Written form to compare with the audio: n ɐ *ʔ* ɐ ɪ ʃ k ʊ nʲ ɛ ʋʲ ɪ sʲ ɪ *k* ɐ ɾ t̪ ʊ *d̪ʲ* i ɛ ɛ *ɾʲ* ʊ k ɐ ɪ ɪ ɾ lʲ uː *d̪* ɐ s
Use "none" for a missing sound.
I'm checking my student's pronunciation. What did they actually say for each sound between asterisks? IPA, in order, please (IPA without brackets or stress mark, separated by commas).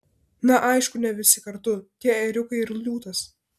ʔ, k, t̪ʲ, ɾʲ, t̪